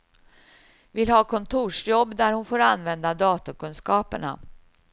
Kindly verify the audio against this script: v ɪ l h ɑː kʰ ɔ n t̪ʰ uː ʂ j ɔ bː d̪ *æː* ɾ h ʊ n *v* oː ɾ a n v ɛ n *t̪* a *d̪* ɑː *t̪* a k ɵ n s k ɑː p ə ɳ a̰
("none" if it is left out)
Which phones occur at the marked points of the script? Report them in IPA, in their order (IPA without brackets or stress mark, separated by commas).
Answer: æ, f, d̪, d̪, t̪